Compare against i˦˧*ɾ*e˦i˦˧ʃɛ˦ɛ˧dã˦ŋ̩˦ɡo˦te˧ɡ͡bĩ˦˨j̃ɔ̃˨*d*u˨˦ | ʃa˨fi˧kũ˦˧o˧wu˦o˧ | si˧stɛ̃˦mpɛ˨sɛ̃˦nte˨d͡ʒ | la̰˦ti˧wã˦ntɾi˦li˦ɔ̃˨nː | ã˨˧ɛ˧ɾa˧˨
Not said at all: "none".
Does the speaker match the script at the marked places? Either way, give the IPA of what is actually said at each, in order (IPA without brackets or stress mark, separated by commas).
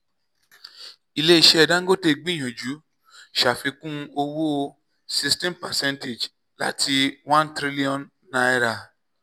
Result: l, d͡ʒ